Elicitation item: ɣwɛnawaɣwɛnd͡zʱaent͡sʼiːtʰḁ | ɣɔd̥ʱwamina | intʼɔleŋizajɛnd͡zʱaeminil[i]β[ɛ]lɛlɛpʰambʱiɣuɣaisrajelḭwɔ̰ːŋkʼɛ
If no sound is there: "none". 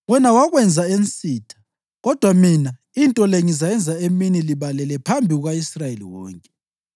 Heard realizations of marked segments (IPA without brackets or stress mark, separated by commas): i, a